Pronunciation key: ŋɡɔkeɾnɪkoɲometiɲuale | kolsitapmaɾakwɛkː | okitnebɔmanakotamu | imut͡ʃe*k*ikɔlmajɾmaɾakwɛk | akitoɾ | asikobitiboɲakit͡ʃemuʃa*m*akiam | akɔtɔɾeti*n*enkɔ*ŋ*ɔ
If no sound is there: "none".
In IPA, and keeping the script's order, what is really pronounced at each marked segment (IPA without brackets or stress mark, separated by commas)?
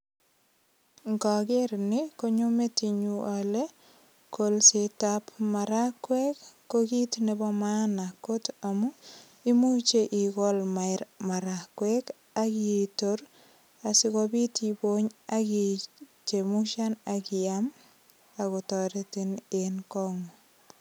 ʔ, n, n, ŋ